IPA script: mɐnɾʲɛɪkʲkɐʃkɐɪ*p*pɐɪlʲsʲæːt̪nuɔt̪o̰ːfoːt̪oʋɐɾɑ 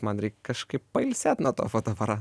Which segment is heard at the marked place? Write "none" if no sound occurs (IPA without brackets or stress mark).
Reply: p